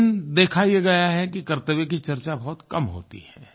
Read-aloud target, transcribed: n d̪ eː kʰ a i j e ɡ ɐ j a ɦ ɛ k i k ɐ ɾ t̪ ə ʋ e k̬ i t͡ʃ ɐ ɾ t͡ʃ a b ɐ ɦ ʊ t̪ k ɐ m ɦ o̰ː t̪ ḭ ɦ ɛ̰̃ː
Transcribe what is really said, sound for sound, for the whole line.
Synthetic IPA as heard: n d̪ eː kʰ a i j e ɡ ɐ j a ɦ ɛ k i k ɐ ɾ t̪ ə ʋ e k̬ i t͡ʃ ɐ ɾ t͡ʃ a b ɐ ɦ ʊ t̪ k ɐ m ɦ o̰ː t̪ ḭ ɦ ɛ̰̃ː